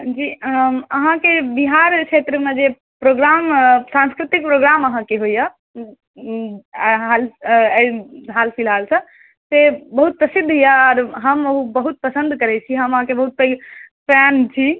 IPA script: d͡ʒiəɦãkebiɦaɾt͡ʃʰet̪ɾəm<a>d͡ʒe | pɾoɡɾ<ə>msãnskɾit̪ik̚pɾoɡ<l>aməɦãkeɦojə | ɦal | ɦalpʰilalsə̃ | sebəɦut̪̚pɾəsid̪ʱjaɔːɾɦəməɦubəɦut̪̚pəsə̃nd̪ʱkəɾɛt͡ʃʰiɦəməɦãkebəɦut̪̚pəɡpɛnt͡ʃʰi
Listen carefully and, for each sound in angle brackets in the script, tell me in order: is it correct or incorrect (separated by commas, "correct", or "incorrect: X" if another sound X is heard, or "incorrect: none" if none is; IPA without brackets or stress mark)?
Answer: incorrect: e, incorrect: a, incorrect: ɾ